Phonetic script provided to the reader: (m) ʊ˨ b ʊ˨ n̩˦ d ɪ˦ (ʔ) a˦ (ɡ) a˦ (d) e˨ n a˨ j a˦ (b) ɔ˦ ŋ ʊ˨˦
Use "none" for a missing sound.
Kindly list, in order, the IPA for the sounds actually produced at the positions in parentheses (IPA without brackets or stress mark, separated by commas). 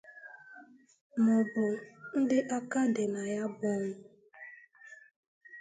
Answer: m, ʔ, k, d, b